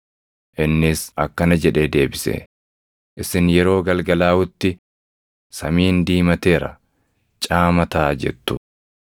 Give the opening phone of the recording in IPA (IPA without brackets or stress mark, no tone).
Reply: ʔ